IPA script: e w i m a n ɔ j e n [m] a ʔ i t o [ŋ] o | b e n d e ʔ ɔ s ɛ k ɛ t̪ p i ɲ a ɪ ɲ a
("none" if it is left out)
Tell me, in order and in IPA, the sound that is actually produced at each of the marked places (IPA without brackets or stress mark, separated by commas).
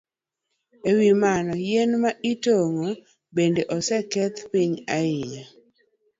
m, ŋ